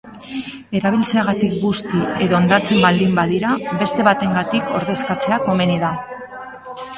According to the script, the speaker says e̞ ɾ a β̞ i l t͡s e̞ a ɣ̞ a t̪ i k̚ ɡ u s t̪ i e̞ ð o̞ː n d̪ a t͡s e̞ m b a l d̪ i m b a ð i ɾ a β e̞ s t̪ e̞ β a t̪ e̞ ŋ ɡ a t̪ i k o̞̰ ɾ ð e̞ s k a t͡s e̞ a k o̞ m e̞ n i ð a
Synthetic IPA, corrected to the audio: e̞ ɾ a β̞ i l t͡s e̞ a ɣ̞ a t̪ i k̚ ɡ u s t̪ i e̞ ð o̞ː n d̪ a t͡s e̞ m b a l d̪ i m b a ð i ɾ a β e̞ s t̪ e̞ β a t̪ e̞ ŋ ɡ a t̪ i k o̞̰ ɾ ð e̞ s k a t͡s e̞ a k o̞ m e̞ n i ð a